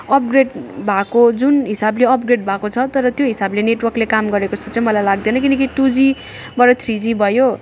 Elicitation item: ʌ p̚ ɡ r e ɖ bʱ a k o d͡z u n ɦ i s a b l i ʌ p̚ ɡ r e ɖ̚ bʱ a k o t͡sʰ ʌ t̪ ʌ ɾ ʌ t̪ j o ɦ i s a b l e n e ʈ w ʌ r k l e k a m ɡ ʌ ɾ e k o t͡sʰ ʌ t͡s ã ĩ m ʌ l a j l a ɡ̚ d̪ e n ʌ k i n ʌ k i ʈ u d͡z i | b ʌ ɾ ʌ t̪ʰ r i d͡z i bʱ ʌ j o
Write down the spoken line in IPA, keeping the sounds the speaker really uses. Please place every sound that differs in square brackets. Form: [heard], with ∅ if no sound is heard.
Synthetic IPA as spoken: ʌ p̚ ɡ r e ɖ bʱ a k o d͡z u n ɦ i s a b l [e] ʌ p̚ ɡ r e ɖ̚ bʱ a k o t͡sʰ ʌ t̪ ʌ ɾ ʌ t̪ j o ɦ i s a b l e n e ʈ w ʌ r k l e k a m ɡ ʌ ɾ e k o t͡sʰ ʌ t͡s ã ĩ m ʌ l a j l a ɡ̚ d̪ e n ʌ k i n ʌ k i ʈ u d͡z i | b ʌ ɾ ʌ t̪ʰ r i d͡z i bʱ ʌ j o